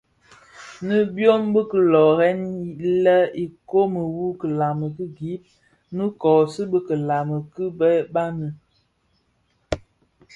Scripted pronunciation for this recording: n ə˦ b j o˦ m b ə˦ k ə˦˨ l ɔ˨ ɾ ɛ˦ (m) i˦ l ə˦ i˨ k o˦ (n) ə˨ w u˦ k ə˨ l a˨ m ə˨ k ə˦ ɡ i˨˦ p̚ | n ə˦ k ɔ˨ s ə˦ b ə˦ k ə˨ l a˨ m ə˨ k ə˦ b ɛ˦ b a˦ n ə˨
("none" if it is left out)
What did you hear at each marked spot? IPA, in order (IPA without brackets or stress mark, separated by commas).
n, m